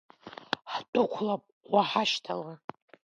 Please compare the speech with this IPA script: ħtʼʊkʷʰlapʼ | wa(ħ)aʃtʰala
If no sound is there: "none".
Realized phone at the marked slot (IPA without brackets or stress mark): ħ